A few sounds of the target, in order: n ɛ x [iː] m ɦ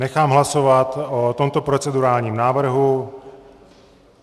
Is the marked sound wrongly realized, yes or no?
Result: yes